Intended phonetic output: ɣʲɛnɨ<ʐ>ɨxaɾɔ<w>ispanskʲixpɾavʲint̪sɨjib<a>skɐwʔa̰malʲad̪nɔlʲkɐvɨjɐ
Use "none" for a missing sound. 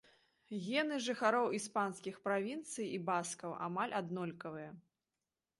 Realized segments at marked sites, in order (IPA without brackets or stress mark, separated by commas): ʐ, w, a